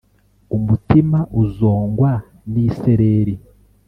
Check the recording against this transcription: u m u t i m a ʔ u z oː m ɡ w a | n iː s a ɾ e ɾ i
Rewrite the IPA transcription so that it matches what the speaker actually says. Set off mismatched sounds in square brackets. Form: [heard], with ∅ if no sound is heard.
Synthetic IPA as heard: u m u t i m a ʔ u z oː [ŋ] ɡ w a | n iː s [e] ɾ e ɾ i